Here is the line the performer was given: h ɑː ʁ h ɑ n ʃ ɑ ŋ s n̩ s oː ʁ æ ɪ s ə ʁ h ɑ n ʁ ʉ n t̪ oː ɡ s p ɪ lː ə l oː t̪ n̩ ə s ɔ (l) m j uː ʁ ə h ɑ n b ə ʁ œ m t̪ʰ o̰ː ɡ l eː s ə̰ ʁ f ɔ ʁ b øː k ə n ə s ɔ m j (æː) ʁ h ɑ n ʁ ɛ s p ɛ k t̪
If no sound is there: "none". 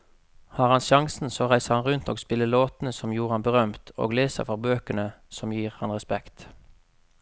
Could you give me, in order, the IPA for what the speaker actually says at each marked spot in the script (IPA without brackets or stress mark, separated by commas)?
none, iː